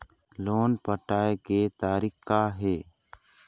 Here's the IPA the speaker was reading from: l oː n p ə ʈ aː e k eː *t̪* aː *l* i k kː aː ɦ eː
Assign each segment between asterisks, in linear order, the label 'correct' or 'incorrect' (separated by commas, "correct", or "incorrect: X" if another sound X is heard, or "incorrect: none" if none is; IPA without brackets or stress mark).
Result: correct, incorrect: ɾ